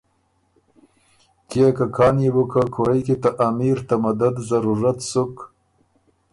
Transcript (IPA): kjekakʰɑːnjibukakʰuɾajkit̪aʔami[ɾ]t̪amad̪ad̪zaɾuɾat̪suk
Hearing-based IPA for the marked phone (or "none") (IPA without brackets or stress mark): ɾ